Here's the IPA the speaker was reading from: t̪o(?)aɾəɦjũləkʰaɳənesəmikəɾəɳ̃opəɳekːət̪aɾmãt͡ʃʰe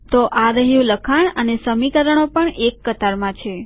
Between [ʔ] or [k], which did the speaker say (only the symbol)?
ʔ